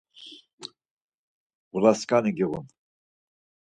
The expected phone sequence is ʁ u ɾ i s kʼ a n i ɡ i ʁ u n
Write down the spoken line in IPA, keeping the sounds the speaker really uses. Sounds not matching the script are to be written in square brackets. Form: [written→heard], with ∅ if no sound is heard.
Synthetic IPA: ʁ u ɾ [i→a] s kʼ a n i ɡ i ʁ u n